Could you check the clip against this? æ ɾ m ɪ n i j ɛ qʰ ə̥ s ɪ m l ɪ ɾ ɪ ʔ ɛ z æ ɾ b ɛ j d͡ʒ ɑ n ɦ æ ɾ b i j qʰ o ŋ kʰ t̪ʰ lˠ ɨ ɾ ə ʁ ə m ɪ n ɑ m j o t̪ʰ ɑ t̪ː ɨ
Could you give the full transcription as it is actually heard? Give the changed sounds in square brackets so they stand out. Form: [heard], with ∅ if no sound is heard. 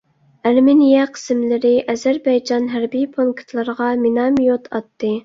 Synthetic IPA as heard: æ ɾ m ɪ n i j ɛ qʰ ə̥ s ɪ m l ɪ ɾ ɪ ʔ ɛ z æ ɾ b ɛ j d͡ʒ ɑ n ɦ æ ɾ b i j [pʰ] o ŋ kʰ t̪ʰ lˠ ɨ ɾ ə ʁ [ɑ] m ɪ n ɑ m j o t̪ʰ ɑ t̪ː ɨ